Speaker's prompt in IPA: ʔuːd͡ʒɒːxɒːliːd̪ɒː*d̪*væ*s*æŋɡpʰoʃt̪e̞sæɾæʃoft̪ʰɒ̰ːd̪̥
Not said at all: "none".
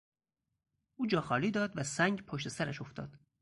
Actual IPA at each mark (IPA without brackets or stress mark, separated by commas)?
d̪, s